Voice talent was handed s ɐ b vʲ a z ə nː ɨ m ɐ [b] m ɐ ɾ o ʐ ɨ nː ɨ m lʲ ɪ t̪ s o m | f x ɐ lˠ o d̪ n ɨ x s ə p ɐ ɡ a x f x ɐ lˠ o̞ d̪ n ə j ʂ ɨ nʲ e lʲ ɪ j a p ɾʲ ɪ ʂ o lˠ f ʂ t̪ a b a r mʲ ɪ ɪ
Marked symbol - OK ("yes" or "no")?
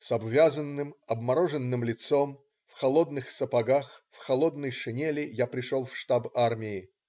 yes